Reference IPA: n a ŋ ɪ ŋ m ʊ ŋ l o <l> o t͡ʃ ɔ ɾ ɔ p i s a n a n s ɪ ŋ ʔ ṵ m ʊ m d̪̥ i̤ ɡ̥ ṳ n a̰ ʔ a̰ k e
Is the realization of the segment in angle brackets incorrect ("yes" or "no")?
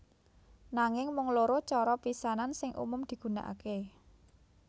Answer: yes